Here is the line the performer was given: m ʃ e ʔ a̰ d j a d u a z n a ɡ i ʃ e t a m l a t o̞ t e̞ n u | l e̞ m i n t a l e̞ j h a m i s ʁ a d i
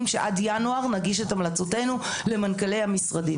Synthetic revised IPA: m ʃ e ʔ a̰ d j a n u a ʁ n a ɡ i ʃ e t a m l a t͡s o̞ t e̞ n u | l e̞ m a n k a l e̞ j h a m i s ʁ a d i

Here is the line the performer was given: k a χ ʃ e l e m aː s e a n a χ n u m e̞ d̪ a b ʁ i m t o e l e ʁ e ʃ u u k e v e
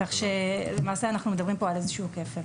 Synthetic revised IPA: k a χ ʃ e l e m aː s e a n a χ n u m e̞ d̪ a b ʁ i m p o a l e z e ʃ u u k e f e

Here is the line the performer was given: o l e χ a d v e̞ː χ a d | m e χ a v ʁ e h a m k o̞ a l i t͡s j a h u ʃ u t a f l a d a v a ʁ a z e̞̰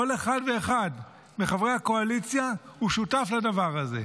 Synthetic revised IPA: o l e χ a d v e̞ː χ a d | m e χ a v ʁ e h a k o̞ a l i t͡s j a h u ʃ u t a f l a d a v a ʁ a z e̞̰

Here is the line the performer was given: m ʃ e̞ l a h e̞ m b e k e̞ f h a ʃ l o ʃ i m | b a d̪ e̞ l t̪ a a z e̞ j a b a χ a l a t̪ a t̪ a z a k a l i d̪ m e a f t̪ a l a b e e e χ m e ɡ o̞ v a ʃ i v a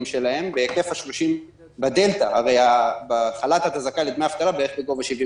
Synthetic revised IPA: m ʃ e̞ l a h e̞ m b e k e̞ f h a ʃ l o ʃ i m | b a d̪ e̞ l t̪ a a ʁ e̞ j a b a χ a l a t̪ a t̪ a z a k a l i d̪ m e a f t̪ a l a b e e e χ b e ɡ o̞ v a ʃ i v i

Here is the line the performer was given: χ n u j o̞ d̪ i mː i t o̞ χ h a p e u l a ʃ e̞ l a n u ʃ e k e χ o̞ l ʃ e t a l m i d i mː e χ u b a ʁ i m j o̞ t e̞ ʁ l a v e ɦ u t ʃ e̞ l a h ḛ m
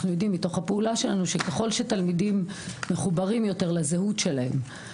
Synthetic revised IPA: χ n u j o̞ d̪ i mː i t o̞ χ h a p e u l a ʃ e̞ l a n u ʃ e k e χ o̞ l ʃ e t a l m i d i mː e χ u b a ʁ i m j o̞ t e̞ ʁ l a z e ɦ u t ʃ e̞ l a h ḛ m

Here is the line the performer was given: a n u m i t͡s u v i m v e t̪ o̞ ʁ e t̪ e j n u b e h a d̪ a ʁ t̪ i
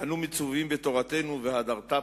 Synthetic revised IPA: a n u m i t͡s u v i m b e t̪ o̞ ʁ a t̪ e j n u v e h a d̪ a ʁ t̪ a

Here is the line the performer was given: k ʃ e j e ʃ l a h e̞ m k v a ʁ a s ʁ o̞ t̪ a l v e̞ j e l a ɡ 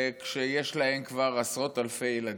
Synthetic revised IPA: k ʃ e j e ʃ l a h e̞ m k v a ʁ a s ʁ o̞ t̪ a l f e̞ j e l a d

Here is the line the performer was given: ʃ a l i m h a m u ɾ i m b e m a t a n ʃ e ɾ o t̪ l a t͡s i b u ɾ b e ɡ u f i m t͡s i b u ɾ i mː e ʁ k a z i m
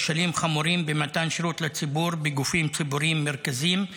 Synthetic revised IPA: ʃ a l i m χ a m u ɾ i m b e m a t a n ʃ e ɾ u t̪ l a t͡s i b u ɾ b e ɡ u f i m t͡s i b u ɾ i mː e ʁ k a z i m

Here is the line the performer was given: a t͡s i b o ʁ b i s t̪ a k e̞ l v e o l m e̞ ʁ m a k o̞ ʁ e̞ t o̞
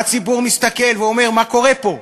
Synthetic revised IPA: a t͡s i b u ʁ m i s t̪ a k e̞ l v e o m e̞ ʁ m a k o̞ ʁ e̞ p o̞

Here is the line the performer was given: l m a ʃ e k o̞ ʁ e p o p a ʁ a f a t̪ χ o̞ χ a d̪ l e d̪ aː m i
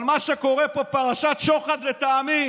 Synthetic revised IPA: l m a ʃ e k o̞ ʁ e p o p a ʁ a ʃ a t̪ ʃ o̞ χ a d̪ l e t̪ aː m i

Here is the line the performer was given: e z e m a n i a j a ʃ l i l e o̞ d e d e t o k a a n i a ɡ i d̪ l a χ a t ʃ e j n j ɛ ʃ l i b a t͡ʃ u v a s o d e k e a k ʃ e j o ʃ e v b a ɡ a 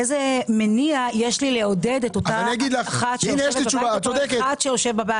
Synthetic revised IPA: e z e m e n i a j e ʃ l i l e o̞ d e d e t o t a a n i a ɡ i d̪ l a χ a t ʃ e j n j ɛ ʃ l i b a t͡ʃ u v a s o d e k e a t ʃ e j o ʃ e v b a b a

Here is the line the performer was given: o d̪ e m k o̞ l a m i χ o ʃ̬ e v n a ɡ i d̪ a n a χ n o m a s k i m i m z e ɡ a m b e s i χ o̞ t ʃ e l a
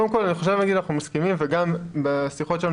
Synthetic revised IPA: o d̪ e m k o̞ l a n i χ o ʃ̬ e v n a ɡ i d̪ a n a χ n u m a s k i m i m v e ɡ a m b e s i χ o̞ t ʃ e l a

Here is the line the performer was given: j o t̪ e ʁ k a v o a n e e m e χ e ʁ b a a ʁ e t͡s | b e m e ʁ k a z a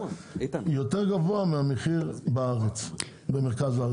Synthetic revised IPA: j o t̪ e ʁ ɡ a v o a m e a m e χ i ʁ b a a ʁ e t͡s | b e m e ʁ k a z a

